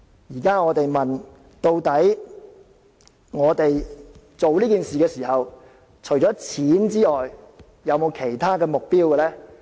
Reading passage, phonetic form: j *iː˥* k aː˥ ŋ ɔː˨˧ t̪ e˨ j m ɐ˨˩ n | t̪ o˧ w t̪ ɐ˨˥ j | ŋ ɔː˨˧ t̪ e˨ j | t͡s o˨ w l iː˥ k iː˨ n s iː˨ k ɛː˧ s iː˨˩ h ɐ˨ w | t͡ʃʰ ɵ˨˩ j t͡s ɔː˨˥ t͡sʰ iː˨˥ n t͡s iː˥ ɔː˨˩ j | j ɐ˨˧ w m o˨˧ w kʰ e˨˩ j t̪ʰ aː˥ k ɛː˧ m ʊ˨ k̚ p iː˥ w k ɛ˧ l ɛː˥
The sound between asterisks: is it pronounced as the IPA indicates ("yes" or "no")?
no